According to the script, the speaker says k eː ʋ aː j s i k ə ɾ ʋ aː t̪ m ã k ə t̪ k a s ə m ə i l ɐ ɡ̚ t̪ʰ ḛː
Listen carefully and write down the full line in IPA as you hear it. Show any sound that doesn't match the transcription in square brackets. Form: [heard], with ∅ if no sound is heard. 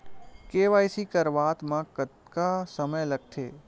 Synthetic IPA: k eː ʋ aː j s i k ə ɾ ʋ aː t̪ m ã k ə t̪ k a s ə m ə [j] l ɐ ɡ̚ t̪ʰ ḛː